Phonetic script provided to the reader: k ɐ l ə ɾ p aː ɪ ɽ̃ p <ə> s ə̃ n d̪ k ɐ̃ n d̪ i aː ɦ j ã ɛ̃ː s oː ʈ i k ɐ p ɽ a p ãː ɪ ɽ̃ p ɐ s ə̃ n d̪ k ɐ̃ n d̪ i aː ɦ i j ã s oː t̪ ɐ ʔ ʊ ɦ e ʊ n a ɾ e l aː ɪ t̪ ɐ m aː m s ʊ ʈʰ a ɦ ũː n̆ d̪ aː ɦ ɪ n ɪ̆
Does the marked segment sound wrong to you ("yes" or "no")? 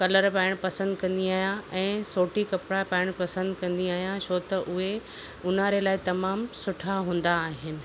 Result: yes